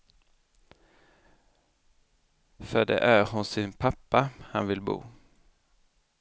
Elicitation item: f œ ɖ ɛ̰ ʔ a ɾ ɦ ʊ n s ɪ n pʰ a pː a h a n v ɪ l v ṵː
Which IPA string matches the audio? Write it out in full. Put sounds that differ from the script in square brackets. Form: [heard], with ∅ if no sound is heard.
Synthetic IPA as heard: f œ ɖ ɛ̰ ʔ [æ] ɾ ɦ ʊ n s ɪ n pʰ a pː a h a n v ɪ l [b] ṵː